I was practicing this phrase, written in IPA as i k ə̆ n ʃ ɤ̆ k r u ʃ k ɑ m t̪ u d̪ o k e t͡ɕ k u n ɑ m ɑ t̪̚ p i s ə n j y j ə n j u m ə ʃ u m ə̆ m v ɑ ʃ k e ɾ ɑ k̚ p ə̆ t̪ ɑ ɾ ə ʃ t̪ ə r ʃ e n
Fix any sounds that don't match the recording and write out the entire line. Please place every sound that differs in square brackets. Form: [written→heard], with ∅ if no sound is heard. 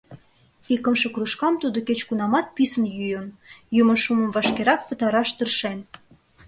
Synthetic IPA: i k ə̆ [n→m] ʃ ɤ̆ k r u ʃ k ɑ m t̪ u d̪ o k e t͡ɕ k u n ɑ m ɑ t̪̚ p i s ə n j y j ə n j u m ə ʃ u m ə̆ m v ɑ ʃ k e ɾ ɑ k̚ p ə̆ t̪ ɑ ɾ [ə→ɑ] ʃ t̪ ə r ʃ e n